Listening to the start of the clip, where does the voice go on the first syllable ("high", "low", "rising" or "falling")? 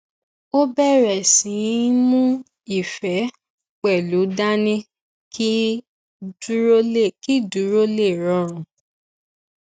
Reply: high